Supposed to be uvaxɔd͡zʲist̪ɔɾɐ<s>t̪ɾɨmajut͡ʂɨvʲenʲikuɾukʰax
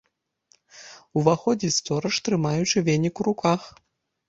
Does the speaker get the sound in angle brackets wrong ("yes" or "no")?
yes